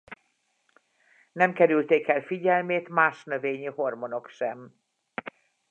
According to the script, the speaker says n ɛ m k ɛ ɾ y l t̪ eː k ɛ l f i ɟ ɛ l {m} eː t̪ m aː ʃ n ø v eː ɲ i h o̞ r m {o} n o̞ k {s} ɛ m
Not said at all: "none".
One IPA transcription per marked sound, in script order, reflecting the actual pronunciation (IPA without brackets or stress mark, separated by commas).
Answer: m, o, ʃ